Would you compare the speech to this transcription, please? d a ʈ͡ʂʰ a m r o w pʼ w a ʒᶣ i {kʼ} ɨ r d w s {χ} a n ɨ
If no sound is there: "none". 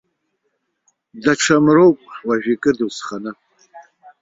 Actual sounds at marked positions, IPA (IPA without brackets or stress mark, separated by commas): kʼ, χ